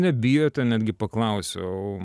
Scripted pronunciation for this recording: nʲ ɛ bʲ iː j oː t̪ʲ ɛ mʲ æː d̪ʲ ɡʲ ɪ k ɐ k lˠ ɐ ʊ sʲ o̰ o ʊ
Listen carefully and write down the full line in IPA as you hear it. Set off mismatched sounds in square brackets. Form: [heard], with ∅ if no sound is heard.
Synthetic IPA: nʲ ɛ bʲ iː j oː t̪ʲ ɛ [nʲ] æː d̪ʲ ɡʲ ɪ [p] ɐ k lˠ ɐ ʊ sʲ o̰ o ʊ